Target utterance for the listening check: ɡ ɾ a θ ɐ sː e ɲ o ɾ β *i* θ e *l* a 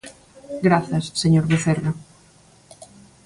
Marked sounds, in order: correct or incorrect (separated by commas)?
incorrect, incorrect